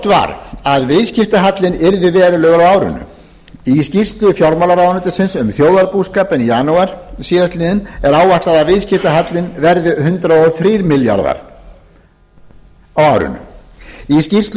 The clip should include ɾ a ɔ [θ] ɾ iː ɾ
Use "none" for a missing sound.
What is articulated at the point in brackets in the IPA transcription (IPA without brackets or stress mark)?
θ